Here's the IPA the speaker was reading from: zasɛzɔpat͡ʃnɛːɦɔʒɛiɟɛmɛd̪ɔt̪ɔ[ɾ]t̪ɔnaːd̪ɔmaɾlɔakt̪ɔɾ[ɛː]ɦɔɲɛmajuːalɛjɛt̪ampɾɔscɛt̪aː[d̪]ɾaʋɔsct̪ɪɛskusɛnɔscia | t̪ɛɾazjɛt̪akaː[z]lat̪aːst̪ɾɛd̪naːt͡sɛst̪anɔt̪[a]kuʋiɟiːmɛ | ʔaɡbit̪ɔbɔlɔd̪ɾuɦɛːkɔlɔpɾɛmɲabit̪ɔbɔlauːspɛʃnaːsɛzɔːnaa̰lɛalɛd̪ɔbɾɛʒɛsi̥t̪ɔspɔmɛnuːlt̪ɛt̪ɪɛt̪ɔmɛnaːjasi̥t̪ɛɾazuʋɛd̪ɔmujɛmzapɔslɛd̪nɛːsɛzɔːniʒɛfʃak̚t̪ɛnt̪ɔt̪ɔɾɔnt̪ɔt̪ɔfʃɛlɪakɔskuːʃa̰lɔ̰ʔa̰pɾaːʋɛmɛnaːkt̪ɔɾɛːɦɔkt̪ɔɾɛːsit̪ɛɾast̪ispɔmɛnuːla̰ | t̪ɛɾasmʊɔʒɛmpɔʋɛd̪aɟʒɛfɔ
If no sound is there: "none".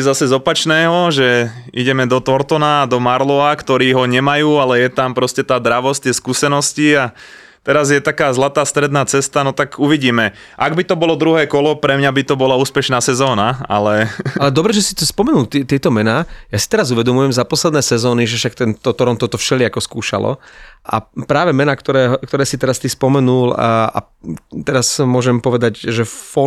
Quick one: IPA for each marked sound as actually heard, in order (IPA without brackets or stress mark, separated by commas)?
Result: ɾ, iː, d̪, z, a